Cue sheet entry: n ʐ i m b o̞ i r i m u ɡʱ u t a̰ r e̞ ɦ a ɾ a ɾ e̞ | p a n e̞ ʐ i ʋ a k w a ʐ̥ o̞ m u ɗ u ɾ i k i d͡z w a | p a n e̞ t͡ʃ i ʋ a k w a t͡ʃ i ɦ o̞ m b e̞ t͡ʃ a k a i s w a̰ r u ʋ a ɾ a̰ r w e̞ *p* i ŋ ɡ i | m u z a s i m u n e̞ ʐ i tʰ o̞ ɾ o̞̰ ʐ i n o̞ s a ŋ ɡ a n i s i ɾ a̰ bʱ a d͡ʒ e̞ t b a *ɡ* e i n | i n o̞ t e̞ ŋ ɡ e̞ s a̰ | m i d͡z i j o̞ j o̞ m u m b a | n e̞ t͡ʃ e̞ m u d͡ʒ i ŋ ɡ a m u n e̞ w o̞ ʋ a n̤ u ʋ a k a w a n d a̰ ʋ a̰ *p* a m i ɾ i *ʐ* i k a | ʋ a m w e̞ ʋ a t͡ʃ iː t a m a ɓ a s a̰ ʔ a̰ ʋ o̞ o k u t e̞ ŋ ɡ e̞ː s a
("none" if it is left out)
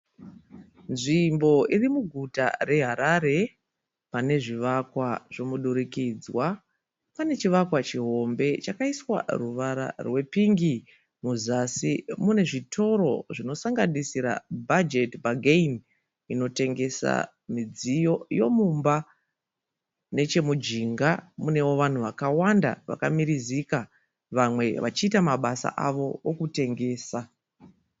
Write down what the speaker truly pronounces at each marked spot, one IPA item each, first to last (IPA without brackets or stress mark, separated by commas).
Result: p, ɡ, k, z